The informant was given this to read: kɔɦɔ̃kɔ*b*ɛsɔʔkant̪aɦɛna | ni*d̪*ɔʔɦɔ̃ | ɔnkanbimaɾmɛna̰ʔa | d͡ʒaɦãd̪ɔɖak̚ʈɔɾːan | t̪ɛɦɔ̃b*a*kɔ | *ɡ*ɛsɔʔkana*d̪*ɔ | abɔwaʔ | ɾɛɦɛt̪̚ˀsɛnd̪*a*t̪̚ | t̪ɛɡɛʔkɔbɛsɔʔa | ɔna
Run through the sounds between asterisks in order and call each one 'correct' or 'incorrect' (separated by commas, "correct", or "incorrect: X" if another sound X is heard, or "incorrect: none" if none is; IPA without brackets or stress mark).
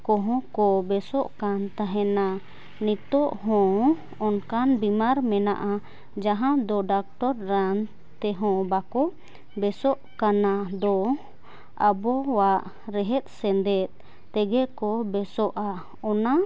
correct, incorrect: t̪, correct, incorrect: b, correct, incorrect: ɛ